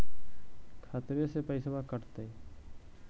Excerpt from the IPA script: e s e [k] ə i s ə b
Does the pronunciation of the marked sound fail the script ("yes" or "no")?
yes